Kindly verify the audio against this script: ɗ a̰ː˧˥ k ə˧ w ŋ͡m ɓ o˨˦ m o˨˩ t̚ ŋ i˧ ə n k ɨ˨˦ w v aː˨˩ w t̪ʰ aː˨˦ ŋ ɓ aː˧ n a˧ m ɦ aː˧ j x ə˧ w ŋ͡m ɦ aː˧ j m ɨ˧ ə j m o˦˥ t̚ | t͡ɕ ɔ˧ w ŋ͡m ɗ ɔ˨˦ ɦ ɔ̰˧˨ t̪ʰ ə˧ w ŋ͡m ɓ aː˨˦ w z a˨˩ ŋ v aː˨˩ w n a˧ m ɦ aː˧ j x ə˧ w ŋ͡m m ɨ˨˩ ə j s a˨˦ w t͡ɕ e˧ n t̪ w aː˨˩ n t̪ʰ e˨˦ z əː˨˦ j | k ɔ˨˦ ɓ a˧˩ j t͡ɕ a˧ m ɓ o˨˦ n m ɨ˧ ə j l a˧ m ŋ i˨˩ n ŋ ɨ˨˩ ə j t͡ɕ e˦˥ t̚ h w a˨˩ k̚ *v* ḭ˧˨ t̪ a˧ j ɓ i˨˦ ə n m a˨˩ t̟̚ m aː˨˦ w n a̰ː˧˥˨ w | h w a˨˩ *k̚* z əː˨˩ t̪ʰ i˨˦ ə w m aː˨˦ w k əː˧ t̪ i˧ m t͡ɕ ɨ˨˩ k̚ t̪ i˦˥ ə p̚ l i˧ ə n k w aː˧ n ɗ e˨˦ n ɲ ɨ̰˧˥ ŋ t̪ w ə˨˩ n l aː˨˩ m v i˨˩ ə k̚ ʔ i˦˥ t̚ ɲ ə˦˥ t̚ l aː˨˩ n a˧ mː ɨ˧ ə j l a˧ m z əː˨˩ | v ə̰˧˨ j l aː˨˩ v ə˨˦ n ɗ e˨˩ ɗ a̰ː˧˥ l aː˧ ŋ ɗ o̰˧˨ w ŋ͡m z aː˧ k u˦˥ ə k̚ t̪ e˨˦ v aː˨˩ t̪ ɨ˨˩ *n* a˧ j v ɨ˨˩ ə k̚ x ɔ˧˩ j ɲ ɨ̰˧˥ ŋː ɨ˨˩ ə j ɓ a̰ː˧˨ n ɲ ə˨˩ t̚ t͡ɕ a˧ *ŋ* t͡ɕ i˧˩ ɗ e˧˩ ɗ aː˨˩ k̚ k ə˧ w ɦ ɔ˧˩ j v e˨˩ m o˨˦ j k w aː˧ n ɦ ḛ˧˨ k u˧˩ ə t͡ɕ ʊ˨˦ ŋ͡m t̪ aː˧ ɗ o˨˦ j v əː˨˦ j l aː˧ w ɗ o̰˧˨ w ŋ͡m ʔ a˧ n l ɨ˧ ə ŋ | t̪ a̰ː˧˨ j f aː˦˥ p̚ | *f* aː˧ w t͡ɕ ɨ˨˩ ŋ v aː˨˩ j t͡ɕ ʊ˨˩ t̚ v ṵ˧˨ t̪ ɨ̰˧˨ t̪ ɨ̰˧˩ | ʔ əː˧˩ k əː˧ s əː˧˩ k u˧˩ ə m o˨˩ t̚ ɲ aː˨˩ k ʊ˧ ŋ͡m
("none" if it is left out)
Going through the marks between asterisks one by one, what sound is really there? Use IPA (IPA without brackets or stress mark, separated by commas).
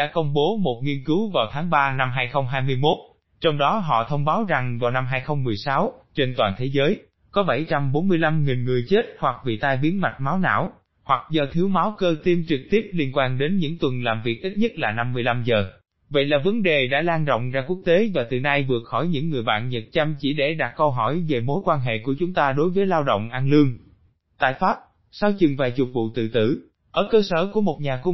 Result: v, k̚, n, m, s